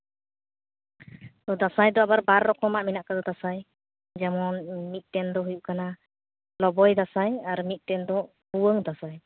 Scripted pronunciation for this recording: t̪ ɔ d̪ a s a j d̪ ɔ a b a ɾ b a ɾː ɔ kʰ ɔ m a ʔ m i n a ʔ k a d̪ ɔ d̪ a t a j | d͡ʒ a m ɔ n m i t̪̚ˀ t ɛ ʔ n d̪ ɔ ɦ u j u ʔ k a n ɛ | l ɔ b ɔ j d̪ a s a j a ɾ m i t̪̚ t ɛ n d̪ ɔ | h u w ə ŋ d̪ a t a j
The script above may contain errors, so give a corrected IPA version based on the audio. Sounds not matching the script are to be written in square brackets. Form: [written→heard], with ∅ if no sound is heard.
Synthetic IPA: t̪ ɔ d̪ a s a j d̪ ɔ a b a ɾ b a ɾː ɔ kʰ ɔ m a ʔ m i n a ʔ k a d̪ ɔ d̪ a [t→s] a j | d͡ʒ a m ɔ n m i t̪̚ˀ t ɛ [ʔ→∅] n d̪ ɔ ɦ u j u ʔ k a n [ɛ→a] | l ɔ b ɔ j d̪ a s a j a ɾ m i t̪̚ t ɛ n d̪ ɔ | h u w ə ŋ d̪ a [t→s] a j